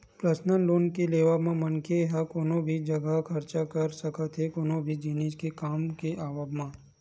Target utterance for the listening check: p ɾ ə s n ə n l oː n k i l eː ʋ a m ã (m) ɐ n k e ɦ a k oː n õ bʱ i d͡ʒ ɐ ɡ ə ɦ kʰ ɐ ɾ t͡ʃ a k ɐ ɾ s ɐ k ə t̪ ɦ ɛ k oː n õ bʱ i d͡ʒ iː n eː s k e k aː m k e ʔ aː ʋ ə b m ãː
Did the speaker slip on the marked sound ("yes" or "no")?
no